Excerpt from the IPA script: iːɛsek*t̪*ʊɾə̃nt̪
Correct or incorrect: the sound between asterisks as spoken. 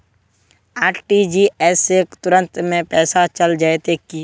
correct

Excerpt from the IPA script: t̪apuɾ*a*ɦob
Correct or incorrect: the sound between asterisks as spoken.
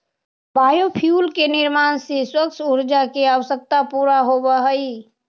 correct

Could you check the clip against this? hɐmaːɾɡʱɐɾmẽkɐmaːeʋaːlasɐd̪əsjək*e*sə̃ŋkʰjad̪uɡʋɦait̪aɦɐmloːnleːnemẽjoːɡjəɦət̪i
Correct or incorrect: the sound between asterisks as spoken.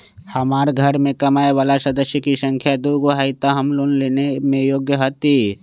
incorrect: i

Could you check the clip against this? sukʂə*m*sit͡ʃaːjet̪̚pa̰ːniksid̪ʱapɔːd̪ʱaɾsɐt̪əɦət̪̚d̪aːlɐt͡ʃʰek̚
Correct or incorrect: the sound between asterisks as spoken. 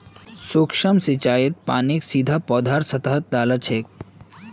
correct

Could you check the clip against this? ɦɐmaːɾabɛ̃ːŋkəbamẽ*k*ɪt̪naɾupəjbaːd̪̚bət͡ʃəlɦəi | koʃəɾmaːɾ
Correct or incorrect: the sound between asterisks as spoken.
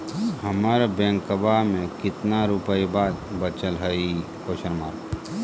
correct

